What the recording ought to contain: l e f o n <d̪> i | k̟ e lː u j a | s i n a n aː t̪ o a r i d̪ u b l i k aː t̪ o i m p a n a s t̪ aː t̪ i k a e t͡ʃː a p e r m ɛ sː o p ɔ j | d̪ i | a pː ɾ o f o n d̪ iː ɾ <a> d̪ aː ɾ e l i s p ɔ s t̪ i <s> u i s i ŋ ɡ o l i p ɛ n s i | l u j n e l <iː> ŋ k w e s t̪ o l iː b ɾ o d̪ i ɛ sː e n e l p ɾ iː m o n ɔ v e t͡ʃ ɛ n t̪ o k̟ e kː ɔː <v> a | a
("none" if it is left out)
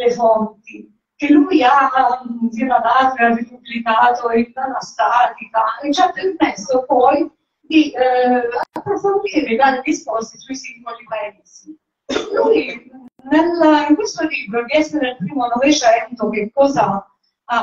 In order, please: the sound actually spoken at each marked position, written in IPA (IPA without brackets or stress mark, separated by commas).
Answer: t̪, e, s, i, z